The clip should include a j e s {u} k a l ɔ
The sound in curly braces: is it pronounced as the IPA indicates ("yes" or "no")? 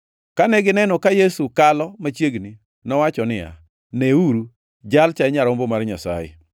yes